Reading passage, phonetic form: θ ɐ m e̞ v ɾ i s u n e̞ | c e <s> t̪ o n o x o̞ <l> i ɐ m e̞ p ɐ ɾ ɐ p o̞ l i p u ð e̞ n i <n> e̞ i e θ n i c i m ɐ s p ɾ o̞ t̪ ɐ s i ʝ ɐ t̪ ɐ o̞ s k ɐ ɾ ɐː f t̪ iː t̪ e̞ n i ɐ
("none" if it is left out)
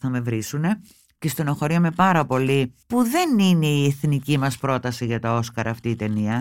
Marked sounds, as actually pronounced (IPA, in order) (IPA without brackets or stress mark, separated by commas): s, ɾ, n